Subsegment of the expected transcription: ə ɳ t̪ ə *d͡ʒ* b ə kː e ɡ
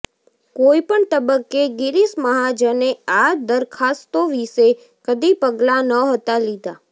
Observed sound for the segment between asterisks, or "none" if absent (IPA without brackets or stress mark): none